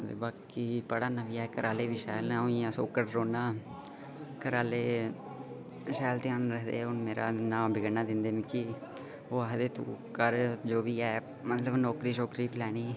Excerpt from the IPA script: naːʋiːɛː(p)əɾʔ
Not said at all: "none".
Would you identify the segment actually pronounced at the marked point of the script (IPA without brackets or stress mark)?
k